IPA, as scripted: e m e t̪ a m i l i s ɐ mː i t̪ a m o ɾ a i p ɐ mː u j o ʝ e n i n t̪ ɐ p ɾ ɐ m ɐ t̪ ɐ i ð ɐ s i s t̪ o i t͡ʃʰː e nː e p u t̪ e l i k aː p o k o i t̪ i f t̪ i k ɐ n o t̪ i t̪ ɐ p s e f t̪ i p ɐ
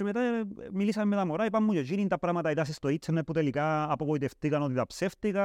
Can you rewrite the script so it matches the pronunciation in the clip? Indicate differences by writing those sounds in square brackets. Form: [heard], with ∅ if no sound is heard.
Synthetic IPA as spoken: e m e t̪ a m i l i s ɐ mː [e] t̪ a m o ɾ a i p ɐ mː u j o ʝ [i] n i n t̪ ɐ p ɾ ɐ m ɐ t̪ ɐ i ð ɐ s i s t̪ o i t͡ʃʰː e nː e p u t̪ e l i k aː p o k o i t̪ [e] f t̪ i k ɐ n o t̪ i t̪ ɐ p s e f t̪ i [k] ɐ